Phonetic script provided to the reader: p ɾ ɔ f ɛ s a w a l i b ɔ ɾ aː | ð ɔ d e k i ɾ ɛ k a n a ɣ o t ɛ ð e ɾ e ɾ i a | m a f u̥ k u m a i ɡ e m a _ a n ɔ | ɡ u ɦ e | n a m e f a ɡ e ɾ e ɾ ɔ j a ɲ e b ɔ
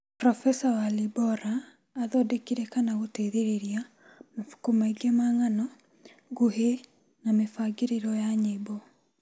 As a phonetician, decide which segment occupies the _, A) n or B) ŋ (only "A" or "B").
B